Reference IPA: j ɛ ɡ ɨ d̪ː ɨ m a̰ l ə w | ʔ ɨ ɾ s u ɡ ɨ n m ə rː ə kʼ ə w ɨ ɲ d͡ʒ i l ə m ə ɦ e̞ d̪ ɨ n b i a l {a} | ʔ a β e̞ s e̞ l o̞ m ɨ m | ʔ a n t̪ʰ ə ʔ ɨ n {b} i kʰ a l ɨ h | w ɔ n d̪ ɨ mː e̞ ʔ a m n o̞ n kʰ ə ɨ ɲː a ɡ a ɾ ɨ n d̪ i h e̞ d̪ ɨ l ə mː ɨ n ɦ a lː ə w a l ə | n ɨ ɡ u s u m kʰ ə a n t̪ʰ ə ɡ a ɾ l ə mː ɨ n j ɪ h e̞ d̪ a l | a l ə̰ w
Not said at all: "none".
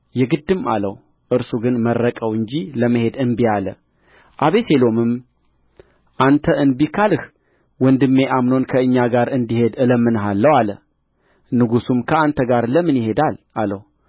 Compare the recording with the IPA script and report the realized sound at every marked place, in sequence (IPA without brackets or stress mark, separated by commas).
ə, b